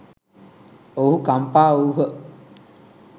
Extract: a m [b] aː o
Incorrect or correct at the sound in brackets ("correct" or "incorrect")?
incorrect